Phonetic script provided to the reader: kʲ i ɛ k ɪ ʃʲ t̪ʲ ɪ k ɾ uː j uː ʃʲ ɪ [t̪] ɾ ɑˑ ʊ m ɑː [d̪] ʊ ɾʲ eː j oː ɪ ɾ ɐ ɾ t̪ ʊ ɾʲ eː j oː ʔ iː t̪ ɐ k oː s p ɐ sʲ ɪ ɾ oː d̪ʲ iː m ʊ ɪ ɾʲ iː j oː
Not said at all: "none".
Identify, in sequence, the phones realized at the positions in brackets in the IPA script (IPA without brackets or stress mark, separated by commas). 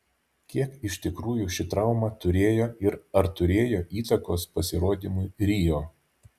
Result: t̪, t̪